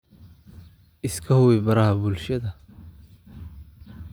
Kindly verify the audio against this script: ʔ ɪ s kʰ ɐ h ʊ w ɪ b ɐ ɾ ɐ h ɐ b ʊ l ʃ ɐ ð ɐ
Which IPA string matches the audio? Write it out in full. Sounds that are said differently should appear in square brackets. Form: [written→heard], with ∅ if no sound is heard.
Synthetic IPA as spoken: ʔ ɪ s kʰ ɐ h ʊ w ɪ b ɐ ɾ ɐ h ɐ b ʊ l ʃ ɐ ð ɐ